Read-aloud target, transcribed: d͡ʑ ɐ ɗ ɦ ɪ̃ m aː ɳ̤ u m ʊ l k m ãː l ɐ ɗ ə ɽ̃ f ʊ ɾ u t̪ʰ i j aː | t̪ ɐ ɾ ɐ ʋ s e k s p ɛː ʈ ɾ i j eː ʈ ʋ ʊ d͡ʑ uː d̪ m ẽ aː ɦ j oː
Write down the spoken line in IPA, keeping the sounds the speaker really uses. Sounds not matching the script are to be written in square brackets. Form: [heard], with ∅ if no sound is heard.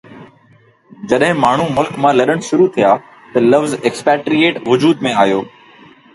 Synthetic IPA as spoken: d͡ʑ ɐ ɗ ɦ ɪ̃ m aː ɳ̤ u m ʊ l k m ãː l ɐ ɗ ə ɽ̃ [ʃ] ʊ ɾ u t̪ʰ i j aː | t̪ ɐ [l] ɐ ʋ [z] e k s p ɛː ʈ ɾ i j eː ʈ ʋ ʊ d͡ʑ uː d̪ m ẽ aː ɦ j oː